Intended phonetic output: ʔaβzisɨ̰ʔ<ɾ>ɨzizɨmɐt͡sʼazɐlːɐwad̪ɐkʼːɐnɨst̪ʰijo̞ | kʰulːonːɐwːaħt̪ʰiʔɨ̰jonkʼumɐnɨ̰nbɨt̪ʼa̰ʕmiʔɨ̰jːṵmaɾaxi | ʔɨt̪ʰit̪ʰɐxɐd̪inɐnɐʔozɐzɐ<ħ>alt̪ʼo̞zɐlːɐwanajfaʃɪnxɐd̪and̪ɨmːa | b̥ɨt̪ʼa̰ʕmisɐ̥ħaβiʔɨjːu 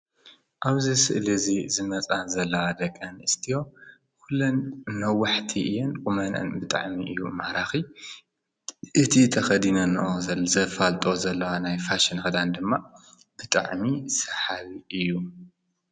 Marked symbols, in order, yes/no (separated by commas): no, no